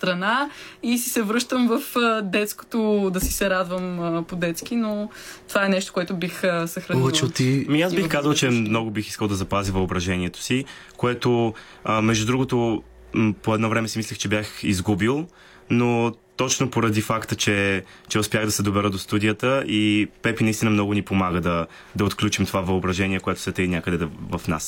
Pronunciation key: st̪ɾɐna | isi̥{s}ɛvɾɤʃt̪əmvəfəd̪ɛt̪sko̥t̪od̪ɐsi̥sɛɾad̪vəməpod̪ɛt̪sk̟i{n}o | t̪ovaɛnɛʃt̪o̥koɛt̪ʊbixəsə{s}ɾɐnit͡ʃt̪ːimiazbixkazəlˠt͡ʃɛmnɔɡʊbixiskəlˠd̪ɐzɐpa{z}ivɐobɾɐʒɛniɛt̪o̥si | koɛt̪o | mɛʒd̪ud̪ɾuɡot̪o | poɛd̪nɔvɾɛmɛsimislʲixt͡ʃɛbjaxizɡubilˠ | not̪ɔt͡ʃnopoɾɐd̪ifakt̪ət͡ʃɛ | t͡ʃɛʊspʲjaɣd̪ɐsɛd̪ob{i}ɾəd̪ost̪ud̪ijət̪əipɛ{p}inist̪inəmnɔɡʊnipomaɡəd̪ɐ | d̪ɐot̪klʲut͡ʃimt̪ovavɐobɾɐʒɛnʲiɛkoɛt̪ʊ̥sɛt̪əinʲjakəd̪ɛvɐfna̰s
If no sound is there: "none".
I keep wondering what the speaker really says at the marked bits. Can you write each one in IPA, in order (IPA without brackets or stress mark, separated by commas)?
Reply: s, n, x, z, ɛ, p